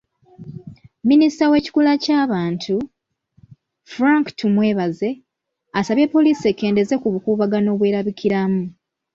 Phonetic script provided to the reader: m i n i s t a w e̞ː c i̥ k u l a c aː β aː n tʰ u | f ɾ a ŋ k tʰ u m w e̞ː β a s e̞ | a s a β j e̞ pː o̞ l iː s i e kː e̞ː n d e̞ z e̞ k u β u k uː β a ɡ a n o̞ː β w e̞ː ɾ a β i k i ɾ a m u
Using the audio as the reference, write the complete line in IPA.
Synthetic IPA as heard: m i n i s t a w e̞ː c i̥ k u l a c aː β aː n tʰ u | f ɾ a ŋ k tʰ u m w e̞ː β a z e̞ | a s a β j e̞ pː o̞ l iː s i e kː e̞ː n d e̞ z e̞ k u β u k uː β a ɡ a n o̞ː β w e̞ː ɾ a β i k i ɾ a m u